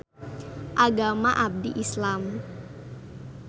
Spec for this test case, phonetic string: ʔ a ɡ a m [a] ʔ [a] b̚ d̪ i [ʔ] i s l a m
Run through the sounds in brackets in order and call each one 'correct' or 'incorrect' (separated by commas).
correct, correct, correct